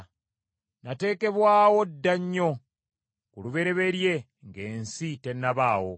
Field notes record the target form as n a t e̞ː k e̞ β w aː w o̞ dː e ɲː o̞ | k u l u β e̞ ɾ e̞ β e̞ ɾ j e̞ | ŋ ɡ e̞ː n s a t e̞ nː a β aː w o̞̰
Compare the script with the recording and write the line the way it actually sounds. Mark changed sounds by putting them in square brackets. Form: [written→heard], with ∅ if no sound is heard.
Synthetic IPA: n a t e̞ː k e̞ β w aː w o̞ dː [e→a] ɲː o̞ | k u l u β e̞ ɾ e̞ β e̞ ɾ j e̞ | ŋ ɡ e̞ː n s [a→i] t e̞ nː a β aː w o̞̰